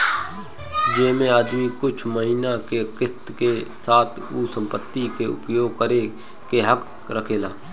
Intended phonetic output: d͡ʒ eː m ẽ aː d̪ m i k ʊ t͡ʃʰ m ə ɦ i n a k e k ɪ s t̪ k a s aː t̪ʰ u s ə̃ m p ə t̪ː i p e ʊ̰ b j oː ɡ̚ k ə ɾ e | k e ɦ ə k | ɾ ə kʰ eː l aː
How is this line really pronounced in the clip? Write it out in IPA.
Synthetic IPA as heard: d͡ʒ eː m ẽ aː d̪ m i k ʊ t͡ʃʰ m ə ɦ i n a k e k ɪ s t̪ k e s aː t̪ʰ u s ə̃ m p ə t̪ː i k e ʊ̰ p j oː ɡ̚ k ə ɾ e | k e ɦ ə k | ɾ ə kʰ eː l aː